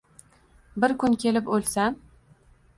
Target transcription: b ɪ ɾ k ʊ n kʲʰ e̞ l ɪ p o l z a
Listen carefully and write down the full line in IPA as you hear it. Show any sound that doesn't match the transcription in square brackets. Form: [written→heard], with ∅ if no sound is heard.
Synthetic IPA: b ɪ ɾ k ʊ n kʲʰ e̞ l ɪ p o l [z→s] a